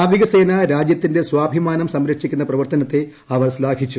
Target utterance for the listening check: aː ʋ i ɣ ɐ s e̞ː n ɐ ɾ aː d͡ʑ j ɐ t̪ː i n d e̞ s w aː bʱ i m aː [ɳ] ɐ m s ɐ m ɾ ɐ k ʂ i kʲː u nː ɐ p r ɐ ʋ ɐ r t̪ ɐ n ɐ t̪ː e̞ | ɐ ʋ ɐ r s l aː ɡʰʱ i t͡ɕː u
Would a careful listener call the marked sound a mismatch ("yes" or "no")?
yes